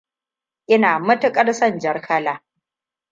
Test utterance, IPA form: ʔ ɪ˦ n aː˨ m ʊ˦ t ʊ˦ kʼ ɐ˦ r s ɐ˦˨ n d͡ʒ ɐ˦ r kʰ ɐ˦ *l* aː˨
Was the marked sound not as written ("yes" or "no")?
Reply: no